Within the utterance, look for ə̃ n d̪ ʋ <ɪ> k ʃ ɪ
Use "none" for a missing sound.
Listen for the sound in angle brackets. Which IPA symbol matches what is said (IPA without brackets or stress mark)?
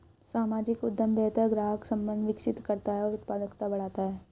ɪ